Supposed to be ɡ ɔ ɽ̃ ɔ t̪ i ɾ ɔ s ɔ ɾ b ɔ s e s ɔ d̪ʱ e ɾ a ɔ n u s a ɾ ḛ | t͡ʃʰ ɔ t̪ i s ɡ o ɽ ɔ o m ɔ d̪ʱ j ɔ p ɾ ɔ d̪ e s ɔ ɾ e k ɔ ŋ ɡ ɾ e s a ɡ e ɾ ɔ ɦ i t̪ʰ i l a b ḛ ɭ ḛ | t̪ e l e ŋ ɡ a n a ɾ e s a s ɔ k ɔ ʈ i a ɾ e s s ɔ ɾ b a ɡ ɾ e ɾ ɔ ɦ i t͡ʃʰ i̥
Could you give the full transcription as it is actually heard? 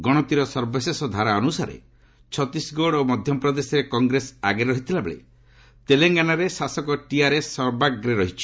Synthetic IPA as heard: ɡ ɔ ɽ̃ ɔ t̪ i ɾ ɔ s ɔ ɾ b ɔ s e s ɔ d̪ʱ a ɾ a ɔ n u s a ɾ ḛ | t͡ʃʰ ɔ t̪ i s ɡ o ɽ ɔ o m ɔ d̪ʱ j ɔ p ɾ ɔ d̪ e s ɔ ɾ e k ɔ ŋ ɡ ɾ e s a ɡ e ɾ ɔ ɦ i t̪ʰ i l a b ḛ ɭ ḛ | t̪ e l e ŋ ɡ a n a ɾ e s a s ɔ k ɔ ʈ i a ɾ e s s ɔ ɾ b a ɡ ɾ e ɾ ɔ ɦ i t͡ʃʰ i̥